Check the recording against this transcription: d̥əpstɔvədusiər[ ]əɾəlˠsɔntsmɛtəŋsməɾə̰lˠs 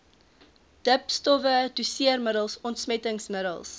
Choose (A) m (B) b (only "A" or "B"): A